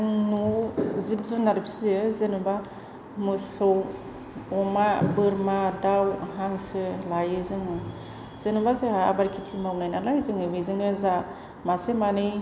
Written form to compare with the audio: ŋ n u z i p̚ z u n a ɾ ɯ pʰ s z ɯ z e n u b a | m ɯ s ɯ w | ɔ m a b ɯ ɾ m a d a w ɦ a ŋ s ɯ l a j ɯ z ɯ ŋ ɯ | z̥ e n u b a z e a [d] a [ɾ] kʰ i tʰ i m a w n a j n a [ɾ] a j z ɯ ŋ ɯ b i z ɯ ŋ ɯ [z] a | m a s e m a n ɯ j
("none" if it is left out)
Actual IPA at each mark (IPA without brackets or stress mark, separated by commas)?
b, ɾ, l, z